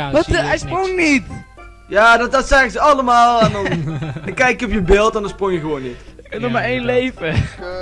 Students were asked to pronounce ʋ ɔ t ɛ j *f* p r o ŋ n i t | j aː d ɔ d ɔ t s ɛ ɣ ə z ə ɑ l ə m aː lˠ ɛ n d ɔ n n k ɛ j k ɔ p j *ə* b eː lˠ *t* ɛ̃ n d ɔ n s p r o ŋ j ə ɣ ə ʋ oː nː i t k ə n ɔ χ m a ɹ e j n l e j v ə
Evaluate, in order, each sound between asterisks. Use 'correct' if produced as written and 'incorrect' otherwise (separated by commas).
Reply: incorrect, correct, correct